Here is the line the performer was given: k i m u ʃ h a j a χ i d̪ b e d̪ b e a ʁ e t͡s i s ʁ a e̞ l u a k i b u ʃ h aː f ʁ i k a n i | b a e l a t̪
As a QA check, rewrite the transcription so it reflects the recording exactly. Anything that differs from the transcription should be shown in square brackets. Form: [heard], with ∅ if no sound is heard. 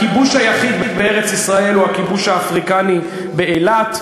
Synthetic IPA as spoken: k i [b] u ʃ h a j a χ i d̪ b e d̪ b e [e] ʁ e t͡s i s ʁ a e̞ l u a k i b u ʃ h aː f ʁ i k a n i | b [e] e l a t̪